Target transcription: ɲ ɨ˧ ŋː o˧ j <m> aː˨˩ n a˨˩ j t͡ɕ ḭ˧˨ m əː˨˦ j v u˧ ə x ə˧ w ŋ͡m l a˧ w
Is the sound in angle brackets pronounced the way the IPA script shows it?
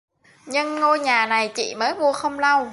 no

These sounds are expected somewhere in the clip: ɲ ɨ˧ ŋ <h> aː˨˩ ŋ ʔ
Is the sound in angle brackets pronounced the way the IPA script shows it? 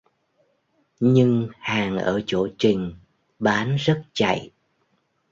yes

